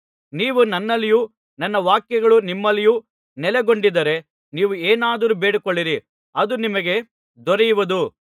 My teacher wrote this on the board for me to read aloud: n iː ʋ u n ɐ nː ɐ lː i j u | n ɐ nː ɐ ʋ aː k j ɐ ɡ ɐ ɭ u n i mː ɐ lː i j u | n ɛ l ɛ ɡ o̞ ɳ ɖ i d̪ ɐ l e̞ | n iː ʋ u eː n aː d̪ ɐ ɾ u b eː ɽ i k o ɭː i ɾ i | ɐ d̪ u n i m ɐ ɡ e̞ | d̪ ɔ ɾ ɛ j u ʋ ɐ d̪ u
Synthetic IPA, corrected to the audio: n iː ʋ u n ɐ nː ɐ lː i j u | n ɐ nː ɐ ʋ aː k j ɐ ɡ ɐ ɭ u n i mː ɐ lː i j u | n ɛ l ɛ ɡ o̞ ɳ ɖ i d̪ ɐ ɾ e̞ | n iː ʋ u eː n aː d̪ ɐ ɾ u b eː ɽ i k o ɭː i ɾ i | ɐ d̪ u n i m ɐ ɡ e̞ | d̪ ɔ ɾ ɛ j u ʋ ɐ d̪ u